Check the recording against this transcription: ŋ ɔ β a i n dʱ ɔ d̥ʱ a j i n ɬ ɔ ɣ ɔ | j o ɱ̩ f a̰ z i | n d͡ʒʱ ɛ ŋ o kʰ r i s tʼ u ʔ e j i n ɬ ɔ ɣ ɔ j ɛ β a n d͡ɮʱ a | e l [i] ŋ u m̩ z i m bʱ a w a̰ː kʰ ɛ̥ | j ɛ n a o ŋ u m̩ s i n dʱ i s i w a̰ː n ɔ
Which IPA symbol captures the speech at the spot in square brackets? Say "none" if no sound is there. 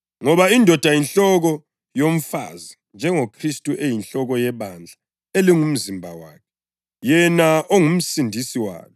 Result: i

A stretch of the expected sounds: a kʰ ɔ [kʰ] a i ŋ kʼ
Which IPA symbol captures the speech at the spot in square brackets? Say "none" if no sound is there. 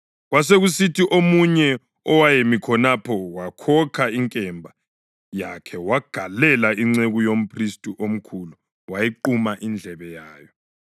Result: kʰ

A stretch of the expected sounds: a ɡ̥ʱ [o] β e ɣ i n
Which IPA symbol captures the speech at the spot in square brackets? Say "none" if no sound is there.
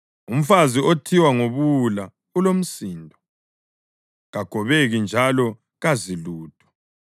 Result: ɔ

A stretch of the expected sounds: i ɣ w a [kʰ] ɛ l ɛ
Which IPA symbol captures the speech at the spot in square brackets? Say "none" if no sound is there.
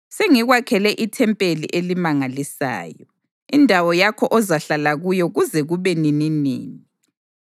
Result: kʰ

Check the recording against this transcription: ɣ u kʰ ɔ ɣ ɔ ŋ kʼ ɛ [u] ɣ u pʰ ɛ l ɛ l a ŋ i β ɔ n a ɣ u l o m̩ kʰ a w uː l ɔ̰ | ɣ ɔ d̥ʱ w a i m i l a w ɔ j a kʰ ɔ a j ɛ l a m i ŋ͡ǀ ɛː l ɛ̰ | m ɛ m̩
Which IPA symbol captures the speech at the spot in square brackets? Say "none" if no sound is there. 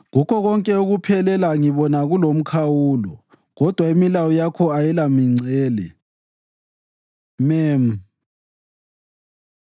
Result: u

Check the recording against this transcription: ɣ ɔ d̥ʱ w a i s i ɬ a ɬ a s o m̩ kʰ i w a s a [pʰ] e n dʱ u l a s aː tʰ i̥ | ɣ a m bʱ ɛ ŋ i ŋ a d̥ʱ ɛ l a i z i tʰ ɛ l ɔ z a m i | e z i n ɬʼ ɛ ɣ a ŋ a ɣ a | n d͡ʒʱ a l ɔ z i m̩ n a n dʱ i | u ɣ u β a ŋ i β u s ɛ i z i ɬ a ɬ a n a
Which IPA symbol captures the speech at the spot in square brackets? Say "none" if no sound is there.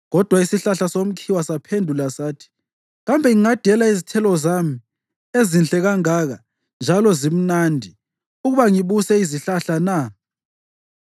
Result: pʰ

